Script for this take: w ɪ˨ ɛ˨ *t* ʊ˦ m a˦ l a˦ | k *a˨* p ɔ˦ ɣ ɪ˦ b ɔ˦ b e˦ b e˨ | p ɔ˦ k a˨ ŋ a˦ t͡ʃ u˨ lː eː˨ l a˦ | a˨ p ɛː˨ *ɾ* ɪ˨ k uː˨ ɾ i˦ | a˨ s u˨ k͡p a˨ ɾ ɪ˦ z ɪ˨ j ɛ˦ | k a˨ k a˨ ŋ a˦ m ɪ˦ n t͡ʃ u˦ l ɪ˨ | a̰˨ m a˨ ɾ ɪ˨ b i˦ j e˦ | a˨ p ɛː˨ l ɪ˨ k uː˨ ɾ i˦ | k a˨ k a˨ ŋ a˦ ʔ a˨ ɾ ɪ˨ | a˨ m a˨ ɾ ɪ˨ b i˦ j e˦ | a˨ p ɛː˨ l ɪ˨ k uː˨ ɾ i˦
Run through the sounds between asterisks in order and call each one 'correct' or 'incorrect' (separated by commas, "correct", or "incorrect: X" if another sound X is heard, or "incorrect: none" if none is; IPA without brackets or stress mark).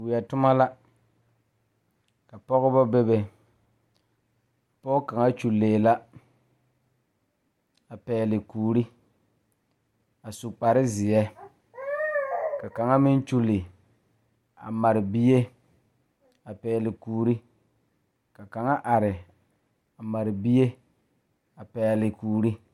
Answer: correct, correct, incorrect: l